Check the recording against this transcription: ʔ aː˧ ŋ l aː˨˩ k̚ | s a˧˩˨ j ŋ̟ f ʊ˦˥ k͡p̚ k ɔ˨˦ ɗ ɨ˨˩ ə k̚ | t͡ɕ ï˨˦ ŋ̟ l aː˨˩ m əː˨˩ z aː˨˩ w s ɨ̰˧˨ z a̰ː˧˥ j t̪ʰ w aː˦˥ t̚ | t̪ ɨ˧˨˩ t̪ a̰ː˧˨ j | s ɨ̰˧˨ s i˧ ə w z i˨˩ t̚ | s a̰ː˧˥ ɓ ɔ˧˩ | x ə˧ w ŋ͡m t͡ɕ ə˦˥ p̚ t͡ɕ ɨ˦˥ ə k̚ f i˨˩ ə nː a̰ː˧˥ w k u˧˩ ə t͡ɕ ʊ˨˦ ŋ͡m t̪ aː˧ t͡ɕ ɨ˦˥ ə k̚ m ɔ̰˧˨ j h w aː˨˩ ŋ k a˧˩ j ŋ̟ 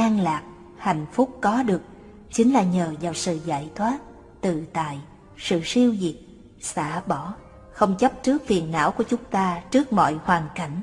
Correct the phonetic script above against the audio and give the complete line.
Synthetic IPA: ʔ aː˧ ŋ l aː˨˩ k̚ | h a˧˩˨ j ŋ̟ f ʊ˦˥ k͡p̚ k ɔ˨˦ ɗ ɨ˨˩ ə k̚ | t͡ɕ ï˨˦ ŋ̟ l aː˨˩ ɲ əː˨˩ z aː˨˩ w s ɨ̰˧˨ z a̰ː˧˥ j t̪ʰ w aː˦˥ t̚ | t̪ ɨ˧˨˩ t̪ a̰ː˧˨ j | s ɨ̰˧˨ s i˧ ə w z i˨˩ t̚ | s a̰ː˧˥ ɓ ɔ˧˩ | x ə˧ w ŋ͡m t͡ɕ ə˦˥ p̚ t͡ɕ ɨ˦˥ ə k̚ f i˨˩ ə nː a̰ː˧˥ w k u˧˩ ə t͡ɕ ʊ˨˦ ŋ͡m t̪ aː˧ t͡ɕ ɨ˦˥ ə k̚ m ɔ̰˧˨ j h w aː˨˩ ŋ k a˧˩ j ŋ̟